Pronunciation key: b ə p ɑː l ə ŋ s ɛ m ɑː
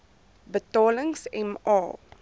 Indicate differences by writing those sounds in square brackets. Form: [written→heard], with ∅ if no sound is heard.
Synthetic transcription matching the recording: b ə [p→t] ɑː l ə ŋ s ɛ m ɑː